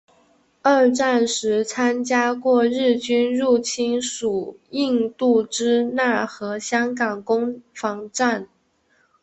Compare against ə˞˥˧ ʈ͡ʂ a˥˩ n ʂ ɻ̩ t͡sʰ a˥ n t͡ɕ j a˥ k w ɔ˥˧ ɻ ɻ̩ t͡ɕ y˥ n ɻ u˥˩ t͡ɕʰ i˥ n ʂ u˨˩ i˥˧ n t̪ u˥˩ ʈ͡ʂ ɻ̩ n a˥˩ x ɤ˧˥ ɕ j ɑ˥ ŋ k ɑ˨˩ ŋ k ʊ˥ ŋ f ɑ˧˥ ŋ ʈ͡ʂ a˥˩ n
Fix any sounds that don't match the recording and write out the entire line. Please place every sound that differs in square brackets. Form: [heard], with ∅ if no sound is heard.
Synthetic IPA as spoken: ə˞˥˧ ʈ͡ʂ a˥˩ n ʂ ɻ̩ t͡sʰ a˥ n t͡ɕ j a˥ k w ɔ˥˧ ɻ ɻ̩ t͡ɕ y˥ n ɻ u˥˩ t͡ɕʰ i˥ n ʂ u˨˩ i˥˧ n t̪ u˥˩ ʈ͡ʂ ɻ̩ n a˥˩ x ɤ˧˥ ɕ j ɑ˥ ŋ k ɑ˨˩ ŋ k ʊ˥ ŋ f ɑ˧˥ ŋ ʈ͡ʂ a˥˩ n